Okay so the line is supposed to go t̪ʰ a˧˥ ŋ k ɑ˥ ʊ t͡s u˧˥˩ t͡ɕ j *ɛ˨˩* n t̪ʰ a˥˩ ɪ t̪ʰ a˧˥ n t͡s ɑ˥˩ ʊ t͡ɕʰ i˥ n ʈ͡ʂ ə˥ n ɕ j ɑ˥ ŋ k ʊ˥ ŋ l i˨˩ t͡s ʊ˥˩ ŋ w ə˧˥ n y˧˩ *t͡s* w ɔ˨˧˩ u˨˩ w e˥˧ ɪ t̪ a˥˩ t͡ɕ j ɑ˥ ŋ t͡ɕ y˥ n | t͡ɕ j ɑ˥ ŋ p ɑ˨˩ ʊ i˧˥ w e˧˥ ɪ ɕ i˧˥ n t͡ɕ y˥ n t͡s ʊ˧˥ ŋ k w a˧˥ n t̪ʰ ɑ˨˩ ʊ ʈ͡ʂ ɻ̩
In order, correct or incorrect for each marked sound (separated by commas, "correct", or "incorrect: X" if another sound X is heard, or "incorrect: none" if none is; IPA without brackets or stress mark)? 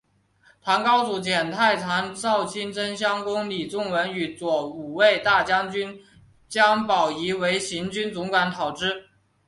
correct, correct